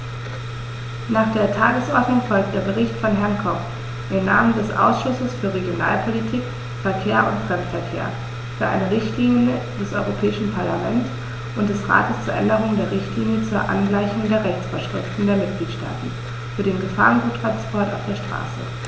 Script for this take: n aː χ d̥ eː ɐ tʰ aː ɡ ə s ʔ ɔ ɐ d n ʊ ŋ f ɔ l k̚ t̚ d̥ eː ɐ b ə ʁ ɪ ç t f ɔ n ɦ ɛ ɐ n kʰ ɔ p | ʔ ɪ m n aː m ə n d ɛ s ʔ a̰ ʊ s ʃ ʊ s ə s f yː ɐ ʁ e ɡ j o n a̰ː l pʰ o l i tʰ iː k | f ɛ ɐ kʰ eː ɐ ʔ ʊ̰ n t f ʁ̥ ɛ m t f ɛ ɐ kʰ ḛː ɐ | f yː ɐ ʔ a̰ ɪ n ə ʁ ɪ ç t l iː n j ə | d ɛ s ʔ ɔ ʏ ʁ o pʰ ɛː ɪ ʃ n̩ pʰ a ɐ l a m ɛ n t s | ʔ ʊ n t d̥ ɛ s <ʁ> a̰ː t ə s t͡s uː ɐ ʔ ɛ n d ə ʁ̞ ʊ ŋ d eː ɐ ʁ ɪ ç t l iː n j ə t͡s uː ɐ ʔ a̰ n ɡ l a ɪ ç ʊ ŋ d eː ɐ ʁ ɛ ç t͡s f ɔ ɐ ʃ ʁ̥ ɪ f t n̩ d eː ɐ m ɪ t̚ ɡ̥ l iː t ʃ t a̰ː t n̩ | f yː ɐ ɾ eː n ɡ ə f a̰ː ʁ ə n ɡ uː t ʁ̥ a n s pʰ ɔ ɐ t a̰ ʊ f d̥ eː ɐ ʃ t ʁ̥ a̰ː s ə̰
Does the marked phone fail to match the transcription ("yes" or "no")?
no